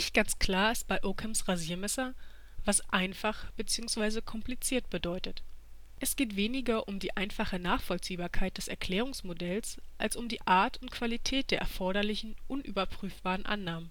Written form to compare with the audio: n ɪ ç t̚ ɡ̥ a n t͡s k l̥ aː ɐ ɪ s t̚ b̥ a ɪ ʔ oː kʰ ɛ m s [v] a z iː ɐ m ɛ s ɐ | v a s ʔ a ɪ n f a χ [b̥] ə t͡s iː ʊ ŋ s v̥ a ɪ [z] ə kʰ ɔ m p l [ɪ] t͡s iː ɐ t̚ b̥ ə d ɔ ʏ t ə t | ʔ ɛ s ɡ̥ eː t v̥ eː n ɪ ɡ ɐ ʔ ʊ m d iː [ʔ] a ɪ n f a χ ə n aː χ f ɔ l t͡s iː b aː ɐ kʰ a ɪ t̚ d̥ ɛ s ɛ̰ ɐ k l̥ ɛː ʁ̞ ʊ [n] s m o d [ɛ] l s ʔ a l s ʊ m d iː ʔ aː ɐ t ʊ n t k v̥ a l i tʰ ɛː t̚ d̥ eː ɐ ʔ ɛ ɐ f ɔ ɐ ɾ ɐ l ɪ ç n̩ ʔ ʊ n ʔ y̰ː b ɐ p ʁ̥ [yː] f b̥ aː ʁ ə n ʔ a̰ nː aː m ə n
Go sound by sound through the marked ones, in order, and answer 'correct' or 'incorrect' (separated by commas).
incorrect, correct, correct, incorrect, correct, incorrect, correct, correct